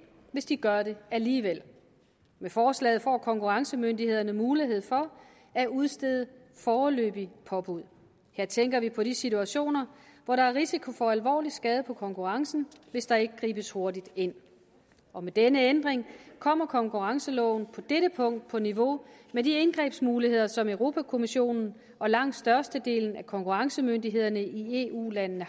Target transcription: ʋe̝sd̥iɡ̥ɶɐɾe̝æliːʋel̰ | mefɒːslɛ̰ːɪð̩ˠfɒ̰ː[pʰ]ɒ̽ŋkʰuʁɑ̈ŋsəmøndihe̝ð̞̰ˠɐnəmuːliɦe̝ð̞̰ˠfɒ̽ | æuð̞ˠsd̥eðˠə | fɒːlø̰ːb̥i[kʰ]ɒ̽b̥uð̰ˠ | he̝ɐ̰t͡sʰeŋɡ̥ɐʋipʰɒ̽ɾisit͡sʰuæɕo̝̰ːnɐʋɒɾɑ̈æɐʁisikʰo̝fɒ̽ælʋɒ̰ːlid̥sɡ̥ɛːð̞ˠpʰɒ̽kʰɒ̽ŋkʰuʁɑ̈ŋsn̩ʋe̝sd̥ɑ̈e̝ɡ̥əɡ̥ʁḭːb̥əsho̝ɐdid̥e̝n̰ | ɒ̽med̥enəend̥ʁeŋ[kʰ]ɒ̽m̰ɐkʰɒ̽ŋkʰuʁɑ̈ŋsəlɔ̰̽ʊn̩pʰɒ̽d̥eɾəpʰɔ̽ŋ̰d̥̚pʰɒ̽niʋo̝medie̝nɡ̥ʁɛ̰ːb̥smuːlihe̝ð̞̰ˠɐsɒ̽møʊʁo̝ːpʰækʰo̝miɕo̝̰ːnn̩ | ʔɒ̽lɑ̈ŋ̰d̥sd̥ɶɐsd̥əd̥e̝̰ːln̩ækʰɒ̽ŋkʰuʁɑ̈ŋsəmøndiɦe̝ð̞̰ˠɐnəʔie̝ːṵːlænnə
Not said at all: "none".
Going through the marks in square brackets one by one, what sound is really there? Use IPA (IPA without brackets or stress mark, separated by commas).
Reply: kʰ, pʰ, kʰ